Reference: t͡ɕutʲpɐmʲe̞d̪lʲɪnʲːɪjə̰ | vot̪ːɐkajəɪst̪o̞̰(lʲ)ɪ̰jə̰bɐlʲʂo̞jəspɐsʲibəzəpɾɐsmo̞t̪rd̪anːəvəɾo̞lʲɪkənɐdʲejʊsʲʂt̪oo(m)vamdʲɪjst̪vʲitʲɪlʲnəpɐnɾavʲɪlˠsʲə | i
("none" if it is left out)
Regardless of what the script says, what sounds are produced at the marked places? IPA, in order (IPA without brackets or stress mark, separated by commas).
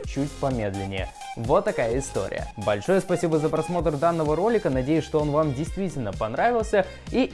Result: ɾʲ, n